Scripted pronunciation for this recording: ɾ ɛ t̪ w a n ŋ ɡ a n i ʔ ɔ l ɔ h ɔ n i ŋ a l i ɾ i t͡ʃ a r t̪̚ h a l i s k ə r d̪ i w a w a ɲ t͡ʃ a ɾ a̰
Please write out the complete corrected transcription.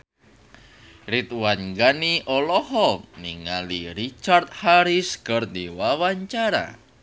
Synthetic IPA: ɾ i t̪ w a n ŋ ɡ a n i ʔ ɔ l ɔ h ɔ n i ŋ a l i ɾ i t͡ʃ a r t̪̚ h a ɾ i s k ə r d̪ i w a w a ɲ t͡ʃ a ɾ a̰